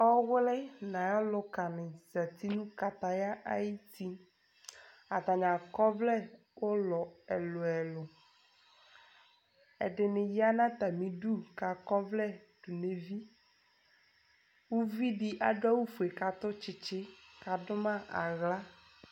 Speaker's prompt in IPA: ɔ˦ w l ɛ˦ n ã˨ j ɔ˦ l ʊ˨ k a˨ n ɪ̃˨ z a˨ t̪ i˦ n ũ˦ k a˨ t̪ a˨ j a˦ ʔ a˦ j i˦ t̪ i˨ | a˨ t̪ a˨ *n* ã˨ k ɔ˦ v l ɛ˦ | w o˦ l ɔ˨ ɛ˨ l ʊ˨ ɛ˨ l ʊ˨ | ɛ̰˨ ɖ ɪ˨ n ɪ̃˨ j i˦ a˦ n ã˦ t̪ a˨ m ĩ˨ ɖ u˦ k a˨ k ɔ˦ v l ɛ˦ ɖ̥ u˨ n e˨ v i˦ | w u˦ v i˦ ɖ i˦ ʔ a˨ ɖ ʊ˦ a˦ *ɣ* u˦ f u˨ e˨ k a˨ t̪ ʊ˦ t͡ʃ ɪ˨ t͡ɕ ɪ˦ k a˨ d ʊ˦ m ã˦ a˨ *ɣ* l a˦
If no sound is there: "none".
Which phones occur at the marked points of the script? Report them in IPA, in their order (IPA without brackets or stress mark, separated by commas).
ɲ, w, ɣ